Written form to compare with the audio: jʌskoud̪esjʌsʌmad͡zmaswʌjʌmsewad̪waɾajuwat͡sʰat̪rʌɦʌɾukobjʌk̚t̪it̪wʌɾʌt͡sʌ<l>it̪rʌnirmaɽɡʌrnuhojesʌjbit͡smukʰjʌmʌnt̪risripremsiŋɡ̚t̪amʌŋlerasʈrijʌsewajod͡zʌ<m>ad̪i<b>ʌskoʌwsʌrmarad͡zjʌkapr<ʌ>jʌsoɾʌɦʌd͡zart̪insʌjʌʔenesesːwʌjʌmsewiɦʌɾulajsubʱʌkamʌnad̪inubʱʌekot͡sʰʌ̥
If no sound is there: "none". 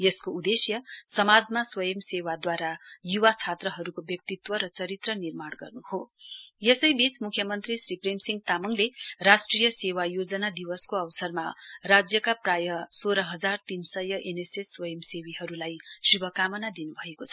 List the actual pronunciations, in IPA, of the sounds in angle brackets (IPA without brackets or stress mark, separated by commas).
ɾ, n, w, a